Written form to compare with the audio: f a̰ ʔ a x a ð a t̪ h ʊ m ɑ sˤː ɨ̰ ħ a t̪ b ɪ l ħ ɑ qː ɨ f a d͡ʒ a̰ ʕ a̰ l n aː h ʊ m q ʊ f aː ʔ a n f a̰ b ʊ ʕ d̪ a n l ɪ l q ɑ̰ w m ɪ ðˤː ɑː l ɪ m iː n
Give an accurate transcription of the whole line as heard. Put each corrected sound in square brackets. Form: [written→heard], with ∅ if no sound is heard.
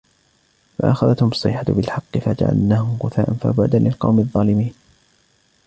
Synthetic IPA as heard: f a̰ ʔ a x a ð a t̪ h ʊ m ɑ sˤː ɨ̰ ħ a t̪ b ɪ l ħ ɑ qː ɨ f a d͡ʒ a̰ ʕ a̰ l n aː h ʊ m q ʊ [f→θ] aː ʔ a n f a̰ b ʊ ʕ d̪ a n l ɪ l q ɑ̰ w m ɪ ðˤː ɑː l ɪ m iː n